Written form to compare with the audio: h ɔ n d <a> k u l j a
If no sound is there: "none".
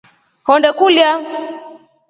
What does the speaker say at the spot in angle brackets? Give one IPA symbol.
ɛ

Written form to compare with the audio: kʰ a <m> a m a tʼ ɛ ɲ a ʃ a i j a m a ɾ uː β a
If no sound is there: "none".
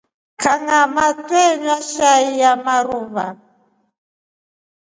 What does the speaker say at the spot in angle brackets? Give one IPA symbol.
ŋ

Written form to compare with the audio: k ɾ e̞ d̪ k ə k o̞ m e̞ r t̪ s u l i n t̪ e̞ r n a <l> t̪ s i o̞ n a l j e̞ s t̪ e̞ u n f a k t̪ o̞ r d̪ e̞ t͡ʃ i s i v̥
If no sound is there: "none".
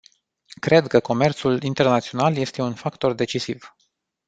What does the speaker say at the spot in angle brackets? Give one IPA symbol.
none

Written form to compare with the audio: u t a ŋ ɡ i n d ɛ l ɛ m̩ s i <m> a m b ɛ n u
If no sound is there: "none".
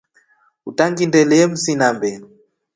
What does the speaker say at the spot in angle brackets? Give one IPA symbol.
n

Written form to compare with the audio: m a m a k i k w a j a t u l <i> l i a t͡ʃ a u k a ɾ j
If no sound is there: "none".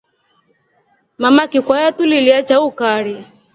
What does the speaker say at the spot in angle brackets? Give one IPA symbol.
i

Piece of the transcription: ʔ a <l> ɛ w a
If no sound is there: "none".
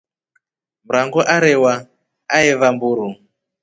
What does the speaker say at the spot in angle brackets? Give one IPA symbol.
ɾ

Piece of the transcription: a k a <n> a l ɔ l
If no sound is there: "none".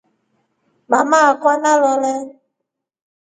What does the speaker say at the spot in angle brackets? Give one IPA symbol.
n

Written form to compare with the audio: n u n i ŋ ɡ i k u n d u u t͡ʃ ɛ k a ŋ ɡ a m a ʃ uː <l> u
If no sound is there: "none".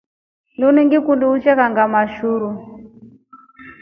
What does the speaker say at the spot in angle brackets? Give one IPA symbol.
ɾ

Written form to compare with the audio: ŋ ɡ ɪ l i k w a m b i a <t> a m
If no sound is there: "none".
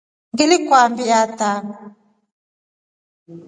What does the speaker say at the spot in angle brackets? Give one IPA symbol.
t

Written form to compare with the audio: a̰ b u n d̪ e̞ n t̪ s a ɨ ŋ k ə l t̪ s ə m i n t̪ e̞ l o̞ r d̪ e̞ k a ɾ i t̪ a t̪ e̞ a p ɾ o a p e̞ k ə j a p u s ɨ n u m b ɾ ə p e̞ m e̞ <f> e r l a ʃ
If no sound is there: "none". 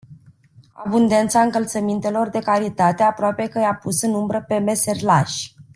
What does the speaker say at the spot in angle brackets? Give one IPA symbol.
s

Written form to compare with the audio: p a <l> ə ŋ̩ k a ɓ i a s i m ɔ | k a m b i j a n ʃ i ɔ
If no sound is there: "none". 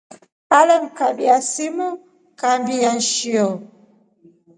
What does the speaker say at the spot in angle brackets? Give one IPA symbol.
l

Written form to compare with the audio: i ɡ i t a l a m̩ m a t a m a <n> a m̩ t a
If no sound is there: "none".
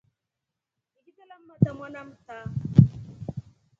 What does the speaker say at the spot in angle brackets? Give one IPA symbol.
n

